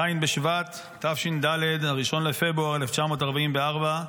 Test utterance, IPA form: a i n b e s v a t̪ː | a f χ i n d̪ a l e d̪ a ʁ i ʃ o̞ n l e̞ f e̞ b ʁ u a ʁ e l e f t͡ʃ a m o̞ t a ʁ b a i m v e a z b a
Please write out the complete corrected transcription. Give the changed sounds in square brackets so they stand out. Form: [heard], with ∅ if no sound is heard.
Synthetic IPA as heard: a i n b e [ʃ] v a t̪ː | a f [ʃ] i n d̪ a l e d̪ a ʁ i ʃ o̞ n l e̞ f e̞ b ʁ u a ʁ e l e f t͡ʃ a m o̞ t a ʁ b a i m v e a [ʁ] b a